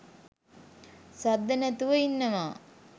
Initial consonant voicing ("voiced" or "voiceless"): voiceless